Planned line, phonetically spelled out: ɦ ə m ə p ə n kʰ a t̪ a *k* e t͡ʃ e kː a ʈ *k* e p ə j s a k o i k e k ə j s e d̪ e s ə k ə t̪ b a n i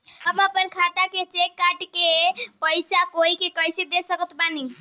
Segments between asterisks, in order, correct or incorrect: correct, correct

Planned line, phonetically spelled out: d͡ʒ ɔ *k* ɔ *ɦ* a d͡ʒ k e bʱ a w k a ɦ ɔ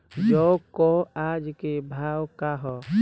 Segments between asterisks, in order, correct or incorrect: correct, incorrect: none

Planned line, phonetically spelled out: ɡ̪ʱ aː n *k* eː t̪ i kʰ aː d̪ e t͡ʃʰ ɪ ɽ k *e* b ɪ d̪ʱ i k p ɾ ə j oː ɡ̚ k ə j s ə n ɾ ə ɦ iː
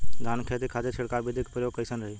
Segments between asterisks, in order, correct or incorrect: incorrect: kʰ, incorrect: a

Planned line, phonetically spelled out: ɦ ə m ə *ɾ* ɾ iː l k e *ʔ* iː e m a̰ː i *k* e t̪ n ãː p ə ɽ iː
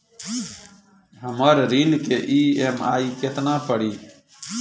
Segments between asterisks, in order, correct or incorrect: correct, correct, correct

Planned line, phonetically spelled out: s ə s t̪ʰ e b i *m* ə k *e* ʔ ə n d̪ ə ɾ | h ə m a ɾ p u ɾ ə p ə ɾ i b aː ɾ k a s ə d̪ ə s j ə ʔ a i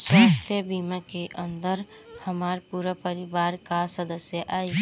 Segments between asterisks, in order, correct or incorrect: correct, correct

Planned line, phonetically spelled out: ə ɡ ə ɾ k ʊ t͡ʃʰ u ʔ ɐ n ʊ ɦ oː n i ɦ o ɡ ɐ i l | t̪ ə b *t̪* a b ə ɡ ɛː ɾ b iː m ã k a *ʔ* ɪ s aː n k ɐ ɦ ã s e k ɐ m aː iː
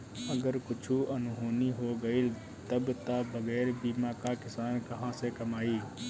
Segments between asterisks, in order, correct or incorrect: correct, incorrect: k

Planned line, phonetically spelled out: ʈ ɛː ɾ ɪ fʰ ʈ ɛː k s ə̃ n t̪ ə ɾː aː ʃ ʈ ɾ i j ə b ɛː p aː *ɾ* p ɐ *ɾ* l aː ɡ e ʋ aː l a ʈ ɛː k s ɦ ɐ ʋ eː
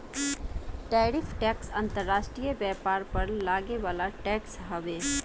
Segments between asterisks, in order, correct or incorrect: correct, correct

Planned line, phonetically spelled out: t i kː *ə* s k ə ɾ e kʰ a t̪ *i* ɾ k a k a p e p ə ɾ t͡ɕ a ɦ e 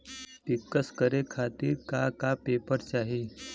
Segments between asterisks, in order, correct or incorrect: correct, incorrect: iː

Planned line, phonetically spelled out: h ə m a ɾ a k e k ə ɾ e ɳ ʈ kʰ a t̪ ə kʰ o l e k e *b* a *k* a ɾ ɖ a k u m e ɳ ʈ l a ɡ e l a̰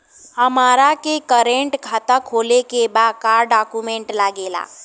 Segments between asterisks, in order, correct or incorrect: correct, correct

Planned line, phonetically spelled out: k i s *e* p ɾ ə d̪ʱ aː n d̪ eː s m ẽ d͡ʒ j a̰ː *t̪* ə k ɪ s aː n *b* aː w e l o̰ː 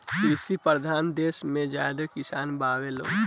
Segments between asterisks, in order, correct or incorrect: incorrect: i, incorrect: d̪, correct

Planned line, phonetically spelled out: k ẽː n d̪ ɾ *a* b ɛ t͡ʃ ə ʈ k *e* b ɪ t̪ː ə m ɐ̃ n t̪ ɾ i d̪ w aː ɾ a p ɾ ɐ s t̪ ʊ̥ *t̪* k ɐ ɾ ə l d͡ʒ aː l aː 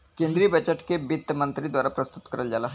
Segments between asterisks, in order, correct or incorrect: incorrect: i, correct, correct

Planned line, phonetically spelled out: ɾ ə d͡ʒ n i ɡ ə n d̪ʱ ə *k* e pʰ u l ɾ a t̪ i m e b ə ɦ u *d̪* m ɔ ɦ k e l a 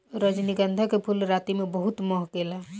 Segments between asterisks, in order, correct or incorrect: correct, incorrect: t̪

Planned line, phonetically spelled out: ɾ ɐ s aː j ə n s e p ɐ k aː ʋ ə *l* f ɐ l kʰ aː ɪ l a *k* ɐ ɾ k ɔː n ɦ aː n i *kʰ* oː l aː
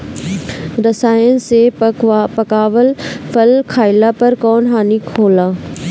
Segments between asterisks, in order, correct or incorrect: correct, incorrect: p, correct

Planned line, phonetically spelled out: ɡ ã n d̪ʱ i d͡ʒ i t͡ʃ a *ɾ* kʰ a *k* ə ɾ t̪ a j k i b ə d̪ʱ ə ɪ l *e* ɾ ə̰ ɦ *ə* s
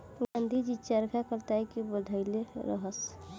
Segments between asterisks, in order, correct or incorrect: correct, correct, correct, correct

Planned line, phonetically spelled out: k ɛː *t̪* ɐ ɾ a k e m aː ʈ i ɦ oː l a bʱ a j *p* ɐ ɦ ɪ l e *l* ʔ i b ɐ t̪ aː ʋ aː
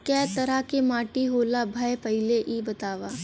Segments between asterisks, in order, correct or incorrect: correct, correct, incorrect: none

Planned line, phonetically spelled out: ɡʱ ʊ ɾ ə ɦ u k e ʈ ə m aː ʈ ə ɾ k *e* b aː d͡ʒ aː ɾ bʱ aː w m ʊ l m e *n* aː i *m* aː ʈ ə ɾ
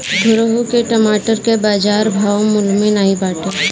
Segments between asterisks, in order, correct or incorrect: correct, correct, incorrect: b

